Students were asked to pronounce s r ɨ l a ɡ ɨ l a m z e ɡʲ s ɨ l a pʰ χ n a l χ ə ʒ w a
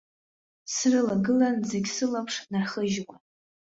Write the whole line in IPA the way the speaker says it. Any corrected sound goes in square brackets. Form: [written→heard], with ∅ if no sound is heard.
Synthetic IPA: s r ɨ l a ɡ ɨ l a [m→n] z e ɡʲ s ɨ l a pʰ [χ→ʂ] n a [l→r] χ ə ʒ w a